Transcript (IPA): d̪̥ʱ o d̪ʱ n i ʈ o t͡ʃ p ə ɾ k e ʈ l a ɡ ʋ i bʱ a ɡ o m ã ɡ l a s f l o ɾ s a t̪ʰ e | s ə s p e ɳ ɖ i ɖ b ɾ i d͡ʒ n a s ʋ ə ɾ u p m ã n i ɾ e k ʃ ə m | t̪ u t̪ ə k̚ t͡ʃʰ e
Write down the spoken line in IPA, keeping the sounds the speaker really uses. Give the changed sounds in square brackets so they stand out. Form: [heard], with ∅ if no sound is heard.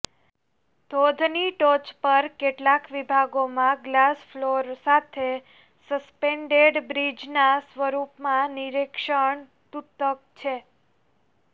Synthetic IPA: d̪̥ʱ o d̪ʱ n i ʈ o t͡ʃ p ə ɾ k e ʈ l a [k] ʋ i bʱ a ɡ o m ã ɡ l a s f l o ɾ s a t̪ʰ e | s ə s p e ɳ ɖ [e] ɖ b ɾ i d͡ʒ n a s ʋ ə ɾ u p m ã n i ɾ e k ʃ ə [ɳ] | t̪ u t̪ ə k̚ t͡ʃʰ e

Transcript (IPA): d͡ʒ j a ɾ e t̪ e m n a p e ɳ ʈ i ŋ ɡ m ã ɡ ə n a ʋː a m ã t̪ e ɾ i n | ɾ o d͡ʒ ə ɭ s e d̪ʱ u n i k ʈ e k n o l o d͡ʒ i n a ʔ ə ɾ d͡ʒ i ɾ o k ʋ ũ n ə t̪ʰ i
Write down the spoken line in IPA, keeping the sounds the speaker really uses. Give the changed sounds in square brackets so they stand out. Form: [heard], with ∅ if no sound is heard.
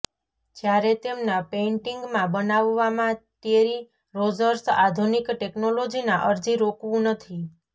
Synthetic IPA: d͡ʒ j a ɾ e t̪ e m n a p e ɳ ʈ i ŋ ɡ m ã [b] ə n a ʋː a m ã t̪ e ɾ i [∅] | ɾ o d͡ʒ ə [ɾ] s [a] d̪ʱ u n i k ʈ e k n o l o d͡ʒ i n a ʔ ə ɾ d͡ʒ i ɾ o k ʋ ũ n ə t̪ʰ i

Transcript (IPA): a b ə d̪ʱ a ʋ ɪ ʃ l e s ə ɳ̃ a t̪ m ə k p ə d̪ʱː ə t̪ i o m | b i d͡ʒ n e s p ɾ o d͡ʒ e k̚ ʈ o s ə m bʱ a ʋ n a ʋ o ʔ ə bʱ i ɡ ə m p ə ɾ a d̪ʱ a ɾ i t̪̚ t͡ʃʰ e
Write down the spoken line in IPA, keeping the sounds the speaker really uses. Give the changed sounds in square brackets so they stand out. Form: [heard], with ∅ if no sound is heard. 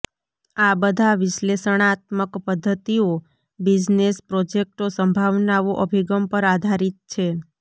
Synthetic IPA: a b ə d̪ʱ a ʋ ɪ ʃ l e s ə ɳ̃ a t̪ m ə k p ə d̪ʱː ə t̪ i o [∅] | b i d͡ʒ n e s p ɾ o d͡ʒ e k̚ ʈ o s ə m bʱ a ʋ n a ʋ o ʔ ə bʱ i ɡ ə m p ə ɾ a d̪ʱ a ɾ i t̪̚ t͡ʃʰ e

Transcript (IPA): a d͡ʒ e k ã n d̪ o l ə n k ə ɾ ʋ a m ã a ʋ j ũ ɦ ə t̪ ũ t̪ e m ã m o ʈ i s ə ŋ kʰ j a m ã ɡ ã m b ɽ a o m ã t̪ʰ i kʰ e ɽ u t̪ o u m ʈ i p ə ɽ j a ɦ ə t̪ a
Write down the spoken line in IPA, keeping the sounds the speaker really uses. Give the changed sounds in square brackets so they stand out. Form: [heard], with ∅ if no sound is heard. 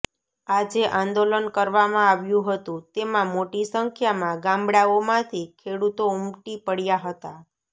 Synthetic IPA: a d͡ʒ e [ʔ] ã n d̪ o l ə n k ə ɾ ʋ a m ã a ʋ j ũ ɦ ə t̪ ũ t̪ e m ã m o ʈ i s ə ŋ kʰ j a m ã ɡ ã m b ɽ a o m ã t̪ʰ i kʰ e ɽ u t̪ o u m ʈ i p ə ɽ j a ɦ ə t̪ a

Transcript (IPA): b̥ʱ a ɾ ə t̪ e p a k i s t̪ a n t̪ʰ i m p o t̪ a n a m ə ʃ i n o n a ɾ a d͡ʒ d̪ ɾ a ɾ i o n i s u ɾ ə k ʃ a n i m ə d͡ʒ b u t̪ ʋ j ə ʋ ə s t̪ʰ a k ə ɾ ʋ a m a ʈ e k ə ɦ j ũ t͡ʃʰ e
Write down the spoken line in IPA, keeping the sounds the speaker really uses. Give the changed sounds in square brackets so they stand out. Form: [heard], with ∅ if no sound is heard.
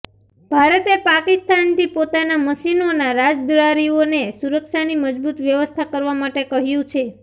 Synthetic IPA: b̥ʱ a ɾ ə t̪ e p a k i s t̪ a n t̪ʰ i [∅] p o t̪ a n a m ə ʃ i n o n a ɾ a d͡ʒ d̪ ɾ a ɾ i o n [e] s u ɾ ə k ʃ a n i m ə d͡ʒ b u t̪ ʋ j ə ʋ ə s t̪ʰ a k ə ɾ ʋ a m a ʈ e k ə ɦ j ũ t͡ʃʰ e

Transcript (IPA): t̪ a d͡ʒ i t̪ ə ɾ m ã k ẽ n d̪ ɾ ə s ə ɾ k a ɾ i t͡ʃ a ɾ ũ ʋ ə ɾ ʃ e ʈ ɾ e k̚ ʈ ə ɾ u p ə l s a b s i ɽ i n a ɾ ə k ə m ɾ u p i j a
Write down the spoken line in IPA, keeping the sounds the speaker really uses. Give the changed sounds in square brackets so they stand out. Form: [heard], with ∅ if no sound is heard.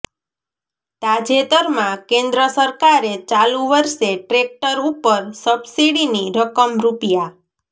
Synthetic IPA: t̪ a d͡ʒ [e] t̪ ə ɾ m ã k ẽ n d̪ ɾ ə s ə ɾ k a ɾ [e] t͡ʃ a [l] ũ ʋ ə ɾ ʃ e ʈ ɾ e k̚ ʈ ə ɾ u p ə [ɾ] s [ə] b s i ɽ i n [i] ɾ ə k ə m ɾ u p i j a

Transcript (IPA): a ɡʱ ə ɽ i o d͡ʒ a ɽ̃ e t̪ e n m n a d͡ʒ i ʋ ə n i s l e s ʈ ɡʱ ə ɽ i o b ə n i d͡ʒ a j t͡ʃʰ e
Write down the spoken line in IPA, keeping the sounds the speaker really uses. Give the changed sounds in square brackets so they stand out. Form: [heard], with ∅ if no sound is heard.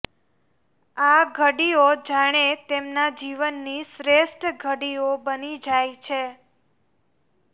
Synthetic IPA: a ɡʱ ə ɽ i o d͡ʒ a ɽ̃ e t̪ e [∅] m n a d͡ʒ i ʋ ə [nː] i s [ɾ] e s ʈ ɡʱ ə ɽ i o b ə n i d͡ʒ a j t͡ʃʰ e

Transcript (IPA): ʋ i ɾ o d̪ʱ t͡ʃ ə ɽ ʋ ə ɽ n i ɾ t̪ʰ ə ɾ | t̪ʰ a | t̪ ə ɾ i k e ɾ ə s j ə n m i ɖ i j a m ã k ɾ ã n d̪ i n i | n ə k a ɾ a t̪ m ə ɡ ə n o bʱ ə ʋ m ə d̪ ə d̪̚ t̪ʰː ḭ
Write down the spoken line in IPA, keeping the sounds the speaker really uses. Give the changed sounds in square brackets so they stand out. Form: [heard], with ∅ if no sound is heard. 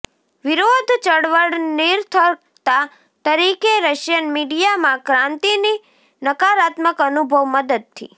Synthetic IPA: ʋ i ɾ o d̪ʱ t͡ʃ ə ɽ ʋ ə ɽ n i ɾ t̪ʰ ə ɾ | [t̪] a | t̪ ə ɾ i k e ɾ ə [ʃ] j ə n m i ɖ i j a m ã k ɾ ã n [t̪] i n i | n ə k a ɾ a t̪ m ə [k] ə n [u] bʱ ə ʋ m ə d̪ ə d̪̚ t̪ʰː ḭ

